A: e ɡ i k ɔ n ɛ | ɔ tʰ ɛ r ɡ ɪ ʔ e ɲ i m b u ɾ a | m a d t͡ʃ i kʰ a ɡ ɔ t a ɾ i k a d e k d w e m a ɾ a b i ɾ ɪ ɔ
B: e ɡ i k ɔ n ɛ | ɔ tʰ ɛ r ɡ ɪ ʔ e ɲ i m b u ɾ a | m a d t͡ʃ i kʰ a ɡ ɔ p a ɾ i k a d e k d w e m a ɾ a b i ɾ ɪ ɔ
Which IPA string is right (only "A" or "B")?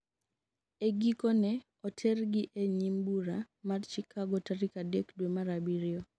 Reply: A